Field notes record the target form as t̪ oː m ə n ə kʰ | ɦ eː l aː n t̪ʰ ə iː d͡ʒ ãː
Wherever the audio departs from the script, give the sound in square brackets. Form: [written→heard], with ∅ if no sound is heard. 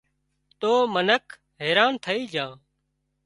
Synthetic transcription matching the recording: t̪ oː m ə n ə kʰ | ɦ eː [l→ɾ] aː n t̪ʰ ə iː d͡ʒ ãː

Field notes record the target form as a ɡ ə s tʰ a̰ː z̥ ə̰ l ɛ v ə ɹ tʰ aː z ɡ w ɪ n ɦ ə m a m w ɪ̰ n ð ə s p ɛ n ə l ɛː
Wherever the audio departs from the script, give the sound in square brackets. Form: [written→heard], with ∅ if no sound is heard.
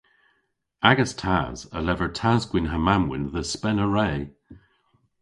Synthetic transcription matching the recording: a ɡ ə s tʰ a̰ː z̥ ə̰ l ɛ v ə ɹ tʰ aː z ɡ w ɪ n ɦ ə m a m w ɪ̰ n ð ə s p ɛ n ə [l→ɹ] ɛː

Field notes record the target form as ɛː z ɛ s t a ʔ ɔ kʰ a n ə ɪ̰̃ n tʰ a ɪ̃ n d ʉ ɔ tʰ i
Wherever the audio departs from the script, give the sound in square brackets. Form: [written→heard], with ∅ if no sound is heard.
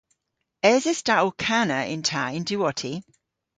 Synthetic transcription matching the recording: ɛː z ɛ s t a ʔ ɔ kʰ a n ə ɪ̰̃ n tʰ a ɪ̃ n d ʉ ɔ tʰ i

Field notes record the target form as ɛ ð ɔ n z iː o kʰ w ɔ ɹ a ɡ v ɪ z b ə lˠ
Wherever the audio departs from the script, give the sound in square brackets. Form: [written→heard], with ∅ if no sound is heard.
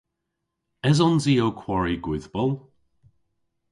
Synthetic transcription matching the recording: ɛ [ð→z] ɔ n z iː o kʰ w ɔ ɹ [a→i] ɡ [v→w] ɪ [z→ð] b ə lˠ

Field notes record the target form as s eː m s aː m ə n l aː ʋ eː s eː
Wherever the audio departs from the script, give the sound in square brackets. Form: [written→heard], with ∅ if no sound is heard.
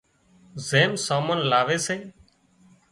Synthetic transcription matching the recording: [s→z] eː m s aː m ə n l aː ʋ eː s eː

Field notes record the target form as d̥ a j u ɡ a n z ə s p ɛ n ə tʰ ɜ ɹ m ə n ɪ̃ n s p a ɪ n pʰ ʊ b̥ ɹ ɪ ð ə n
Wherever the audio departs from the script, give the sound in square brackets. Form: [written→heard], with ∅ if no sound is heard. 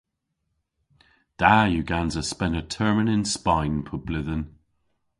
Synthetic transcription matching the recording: d̥ a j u ɡ a n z ə s p ɛ n ə tʰ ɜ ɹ m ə n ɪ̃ n s p a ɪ n pʰ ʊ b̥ [ɹ→l] ɪ ð ə n

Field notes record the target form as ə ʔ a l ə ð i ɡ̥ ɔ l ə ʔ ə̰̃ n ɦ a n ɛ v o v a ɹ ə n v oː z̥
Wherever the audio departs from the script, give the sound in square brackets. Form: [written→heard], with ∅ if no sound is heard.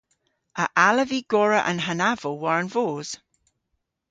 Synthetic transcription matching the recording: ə ʔ a l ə [ð→v] i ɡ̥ ɔ [l→ɹ] ə ʔ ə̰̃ n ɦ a n [ɛ→a] v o [v→w] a ɹ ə n v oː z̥

